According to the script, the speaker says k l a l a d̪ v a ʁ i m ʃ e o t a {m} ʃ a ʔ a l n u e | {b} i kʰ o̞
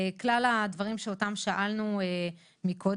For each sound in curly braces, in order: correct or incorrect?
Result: correct, incorrect: m

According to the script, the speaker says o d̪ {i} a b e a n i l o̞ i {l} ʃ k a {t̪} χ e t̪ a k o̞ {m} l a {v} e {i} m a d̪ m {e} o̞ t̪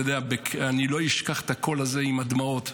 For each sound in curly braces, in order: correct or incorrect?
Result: incorrect: e, incorrect: none, incorrect: none, incorrect: none, incorrect: z, correct, incorrect: a

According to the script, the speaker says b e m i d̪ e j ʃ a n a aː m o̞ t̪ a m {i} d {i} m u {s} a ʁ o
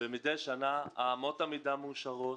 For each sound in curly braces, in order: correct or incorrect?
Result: correct, incorrect: a, incorrect: ʃ

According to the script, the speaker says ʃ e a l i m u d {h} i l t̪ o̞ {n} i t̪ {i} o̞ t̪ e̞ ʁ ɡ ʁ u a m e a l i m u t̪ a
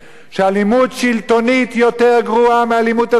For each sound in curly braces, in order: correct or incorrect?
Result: incorrect: ʃ, correct, incorrect: j

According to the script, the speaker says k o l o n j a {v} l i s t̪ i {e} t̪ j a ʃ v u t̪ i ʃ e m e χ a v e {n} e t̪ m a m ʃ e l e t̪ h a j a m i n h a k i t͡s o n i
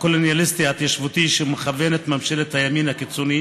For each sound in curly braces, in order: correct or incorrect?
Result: incorrect: none, incorrect: a, correct

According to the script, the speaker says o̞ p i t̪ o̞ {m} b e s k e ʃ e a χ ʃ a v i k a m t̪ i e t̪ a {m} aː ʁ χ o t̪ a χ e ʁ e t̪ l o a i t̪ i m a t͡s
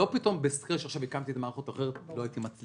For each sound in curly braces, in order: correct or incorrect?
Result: correct, correct

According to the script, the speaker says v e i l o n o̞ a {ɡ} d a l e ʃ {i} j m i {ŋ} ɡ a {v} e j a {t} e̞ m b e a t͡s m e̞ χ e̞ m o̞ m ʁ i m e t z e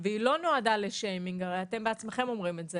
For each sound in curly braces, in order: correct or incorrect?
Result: incorrect: none, incorrect: e, correct, incorrect: ʁ, correct

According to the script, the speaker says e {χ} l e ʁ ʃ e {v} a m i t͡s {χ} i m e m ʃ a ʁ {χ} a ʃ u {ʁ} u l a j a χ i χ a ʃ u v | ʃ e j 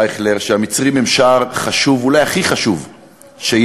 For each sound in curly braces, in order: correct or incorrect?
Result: correct, incorrect: none, incorrect: ʁ, correct, incorrect: v

